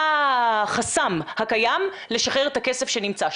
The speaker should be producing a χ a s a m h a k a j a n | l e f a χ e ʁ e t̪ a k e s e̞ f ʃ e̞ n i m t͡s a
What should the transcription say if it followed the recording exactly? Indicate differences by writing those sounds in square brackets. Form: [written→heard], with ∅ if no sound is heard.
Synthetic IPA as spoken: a χ a s a m h a k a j a [n→m] | l e [f→ʃ] a χ e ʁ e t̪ a k e s e̞ f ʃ e̞ n i m t͡s a

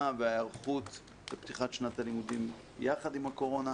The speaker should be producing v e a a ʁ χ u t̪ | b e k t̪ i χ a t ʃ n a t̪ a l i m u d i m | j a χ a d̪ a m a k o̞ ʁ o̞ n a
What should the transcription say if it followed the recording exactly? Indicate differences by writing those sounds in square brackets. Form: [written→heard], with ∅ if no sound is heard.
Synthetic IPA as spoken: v e a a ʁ χ u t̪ | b e [k→p] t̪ i χ a t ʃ n a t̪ a l i m u d i m | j a χ a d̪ [a→i] m a k o̞ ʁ o̞ n a

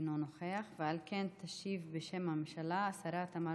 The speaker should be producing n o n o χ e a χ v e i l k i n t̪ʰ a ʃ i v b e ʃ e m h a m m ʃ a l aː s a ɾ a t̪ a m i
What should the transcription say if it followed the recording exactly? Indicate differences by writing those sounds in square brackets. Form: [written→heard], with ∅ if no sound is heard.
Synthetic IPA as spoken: n o n o χ e a χ v e [i→a] l k [i→e] n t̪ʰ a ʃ i v b e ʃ e m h a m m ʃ a l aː s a ɾ a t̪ a m [i→a]

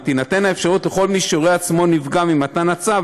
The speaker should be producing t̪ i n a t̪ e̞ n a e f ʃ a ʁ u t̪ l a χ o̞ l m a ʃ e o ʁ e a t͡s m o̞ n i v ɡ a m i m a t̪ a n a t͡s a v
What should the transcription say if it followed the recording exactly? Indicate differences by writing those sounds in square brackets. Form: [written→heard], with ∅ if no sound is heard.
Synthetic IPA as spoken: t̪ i n a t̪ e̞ n a e f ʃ a ʁ u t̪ l [a→e] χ o̞ l m [a→i] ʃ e o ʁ e a t͡s m o̞ n i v ɡ a m i m a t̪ a n a t͡s a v

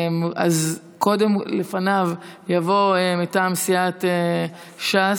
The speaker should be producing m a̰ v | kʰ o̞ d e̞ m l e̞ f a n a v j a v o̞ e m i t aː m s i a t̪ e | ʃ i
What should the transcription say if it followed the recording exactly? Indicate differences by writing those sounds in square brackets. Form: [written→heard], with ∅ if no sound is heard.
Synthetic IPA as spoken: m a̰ [v→z] | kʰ o̞ d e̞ m l e̞ f a n a v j a v o̞ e m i t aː m s i a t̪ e | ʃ [i→a]

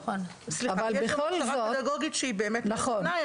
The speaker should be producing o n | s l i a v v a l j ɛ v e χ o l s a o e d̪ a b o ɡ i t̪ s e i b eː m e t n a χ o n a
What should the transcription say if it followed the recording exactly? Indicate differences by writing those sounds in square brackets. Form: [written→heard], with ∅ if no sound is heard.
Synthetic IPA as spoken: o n | s l i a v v a l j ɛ [v→b] e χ o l [s→z] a o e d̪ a [b→ɡ] o ɡ i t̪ [s→ʃ] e i b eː m e t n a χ o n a

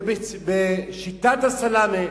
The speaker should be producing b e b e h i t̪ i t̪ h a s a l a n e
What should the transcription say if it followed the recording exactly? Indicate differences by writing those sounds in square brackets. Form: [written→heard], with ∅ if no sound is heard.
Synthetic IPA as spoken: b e b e [h→ʃ] i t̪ [i→a] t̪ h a s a l a [n→m] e

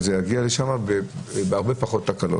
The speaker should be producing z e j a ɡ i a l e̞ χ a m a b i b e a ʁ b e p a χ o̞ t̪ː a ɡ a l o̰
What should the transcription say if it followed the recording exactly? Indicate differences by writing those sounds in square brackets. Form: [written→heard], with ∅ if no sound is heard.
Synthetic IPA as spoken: z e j a ɡ i a l e̞ [χ→ʃ] a m a b [i→e] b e a ʁ b e p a χ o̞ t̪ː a [ɡ→k] a l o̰

